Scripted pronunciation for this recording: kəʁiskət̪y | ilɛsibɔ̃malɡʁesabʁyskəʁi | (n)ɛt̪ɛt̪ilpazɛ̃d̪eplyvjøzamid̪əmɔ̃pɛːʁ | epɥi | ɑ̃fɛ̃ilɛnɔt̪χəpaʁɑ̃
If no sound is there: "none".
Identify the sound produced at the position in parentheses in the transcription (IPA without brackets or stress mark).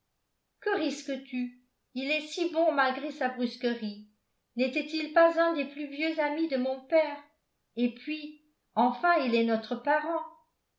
n